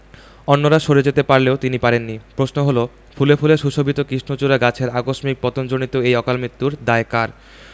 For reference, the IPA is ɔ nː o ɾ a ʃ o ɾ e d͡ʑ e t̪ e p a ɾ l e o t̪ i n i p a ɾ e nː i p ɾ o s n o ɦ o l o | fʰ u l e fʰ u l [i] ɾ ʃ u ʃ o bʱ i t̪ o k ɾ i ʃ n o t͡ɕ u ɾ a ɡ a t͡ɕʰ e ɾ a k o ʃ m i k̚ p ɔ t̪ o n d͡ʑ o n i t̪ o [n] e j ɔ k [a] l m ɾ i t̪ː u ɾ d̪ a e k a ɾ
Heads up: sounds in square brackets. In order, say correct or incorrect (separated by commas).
incorrect, incorrect, correct